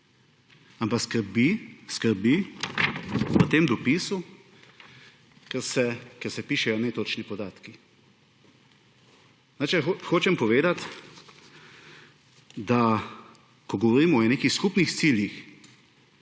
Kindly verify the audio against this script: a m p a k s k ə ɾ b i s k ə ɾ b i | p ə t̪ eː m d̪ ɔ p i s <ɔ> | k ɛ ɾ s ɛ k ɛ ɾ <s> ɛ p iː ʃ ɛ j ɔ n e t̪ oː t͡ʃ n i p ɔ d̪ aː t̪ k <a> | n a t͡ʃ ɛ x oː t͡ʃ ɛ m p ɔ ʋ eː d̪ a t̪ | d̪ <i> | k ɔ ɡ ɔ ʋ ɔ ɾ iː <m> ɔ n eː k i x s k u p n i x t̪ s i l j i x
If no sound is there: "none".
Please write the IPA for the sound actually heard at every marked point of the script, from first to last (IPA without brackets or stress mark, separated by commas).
u, s, i, a, m